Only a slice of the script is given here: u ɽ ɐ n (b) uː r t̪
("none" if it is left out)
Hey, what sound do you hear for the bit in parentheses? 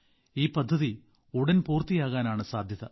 p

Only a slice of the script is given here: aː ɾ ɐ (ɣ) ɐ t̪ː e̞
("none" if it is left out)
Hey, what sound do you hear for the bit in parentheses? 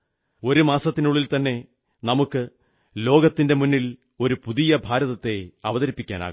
ð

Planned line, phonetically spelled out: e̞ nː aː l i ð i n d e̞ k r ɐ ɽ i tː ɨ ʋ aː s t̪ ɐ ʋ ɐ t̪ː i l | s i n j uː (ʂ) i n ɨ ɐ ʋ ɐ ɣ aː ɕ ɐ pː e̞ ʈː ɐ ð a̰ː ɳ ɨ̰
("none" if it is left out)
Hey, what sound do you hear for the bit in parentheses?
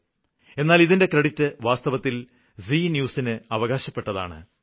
s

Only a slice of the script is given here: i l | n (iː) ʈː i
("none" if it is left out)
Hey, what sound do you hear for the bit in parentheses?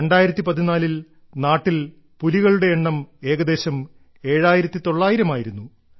aː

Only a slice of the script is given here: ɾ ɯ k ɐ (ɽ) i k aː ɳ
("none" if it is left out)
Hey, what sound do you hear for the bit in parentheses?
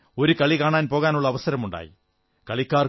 ɭ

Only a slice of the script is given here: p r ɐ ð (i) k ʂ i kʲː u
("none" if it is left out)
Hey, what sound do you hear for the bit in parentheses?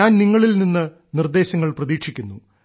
iː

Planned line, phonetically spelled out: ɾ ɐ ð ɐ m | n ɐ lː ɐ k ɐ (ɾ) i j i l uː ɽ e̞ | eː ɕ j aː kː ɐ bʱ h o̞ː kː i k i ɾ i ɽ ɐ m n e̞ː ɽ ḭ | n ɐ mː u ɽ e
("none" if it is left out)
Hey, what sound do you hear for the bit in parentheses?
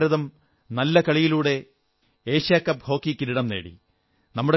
ɭ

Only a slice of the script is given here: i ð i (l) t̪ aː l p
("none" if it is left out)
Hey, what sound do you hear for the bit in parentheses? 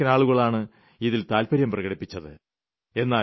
l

